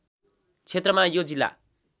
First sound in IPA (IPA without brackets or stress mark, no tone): t͡sʰ